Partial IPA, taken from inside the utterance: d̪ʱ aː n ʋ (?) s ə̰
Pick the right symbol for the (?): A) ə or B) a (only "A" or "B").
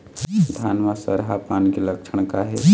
B